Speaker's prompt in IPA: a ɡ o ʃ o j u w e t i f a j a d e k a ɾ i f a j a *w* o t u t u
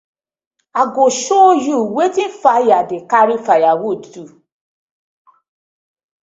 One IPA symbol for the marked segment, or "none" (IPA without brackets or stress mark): w